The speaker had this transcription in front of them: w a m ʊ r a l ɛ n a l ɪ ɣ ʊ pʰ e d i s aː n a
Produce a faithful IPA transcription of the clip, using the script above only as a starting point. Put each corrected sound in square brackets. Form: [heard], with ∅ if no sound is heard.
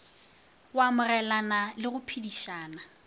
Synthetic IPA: w a m ʊ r [ɛ] l [a] n a l ɪ ɣ ʊ pʰ [i] d i [ʃ] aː n a